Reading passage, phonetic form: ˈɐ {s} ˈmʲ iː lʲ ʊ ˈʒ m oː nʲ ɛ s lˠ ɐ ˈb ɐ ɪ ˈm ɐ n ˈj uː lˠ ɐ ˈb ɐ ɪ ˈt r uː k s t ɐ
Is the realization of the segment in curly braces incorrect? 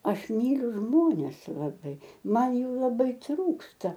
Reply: yes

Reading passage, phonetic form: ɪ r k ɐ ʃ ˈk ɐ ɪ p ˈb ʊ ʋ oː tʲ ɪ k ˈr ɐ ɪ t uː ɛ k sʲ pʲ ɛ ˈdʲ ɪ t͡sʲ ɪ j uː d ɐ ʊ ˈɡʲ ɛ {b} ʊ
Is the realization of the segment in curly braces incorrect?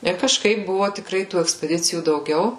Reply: yes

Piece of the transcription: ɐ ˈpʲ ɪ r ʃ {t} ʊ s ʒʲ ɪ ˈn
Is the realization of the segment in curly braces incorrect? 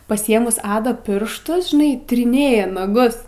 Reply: no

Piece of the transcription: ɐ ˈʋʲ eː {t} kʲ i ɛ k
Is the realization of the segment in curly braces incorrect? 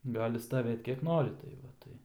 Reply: no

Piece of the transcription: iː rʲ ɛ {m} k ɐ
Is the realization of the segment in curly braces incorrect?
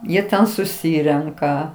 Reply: yes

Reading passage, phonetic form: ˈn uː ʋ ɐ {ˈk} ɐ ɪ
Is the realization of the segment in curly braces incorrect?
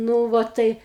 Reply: yes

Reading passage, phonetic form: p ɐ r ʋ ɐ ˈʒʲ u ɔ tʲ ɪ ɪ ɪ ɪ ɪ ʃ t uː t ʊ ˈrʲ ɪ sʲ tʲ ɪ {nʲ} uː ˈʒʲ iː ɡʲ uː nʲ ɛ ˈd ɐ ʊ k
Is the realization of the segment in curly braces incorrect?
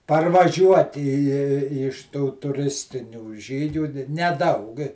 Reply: no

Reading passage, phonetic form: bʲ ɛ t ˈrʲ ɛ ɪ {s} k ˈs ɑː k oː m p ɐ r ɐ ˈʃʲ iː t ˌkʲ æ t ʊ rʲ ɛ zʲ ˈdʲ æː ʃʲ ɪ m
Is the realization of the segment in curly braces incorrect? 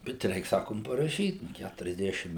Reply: yes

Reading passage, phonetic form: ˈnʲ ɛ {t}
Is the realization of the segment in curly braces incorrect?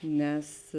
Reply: yes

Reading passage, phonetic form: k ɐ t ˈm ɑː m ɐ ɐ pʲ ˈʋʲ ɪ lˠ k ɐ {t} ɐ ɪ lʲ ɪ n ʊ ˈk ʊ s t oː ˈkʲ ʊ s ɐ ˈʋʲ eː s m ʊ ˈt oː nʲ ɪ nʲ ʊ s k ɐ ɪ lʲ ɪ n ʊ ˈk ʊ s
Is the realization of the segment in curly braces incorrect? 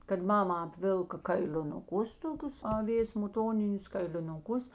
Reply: yes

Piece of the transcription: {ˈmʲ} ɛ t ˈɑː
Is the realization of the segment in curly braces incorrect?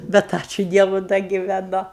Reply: yes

